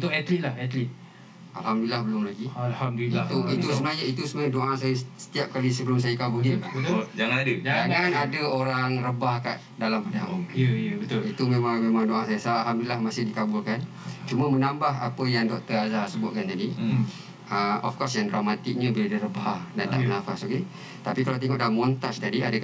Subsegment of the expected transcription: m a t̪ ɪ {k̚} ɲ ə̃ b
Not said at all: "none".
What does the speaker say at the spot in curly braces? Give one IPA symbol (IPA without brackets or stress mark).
k̚